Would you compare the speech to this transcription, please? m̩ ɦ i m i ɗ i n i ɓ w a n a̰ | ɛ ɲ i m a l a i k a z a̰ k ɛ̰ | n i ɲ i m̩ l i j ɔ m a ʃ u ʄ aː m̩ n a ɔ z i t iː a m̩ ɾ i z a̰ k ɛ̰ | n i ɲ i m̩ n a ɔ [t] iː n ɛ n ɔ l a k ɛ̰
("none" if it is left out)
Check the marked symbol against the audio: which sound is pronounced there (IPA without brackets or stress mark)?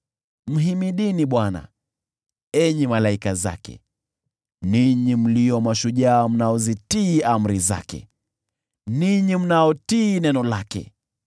t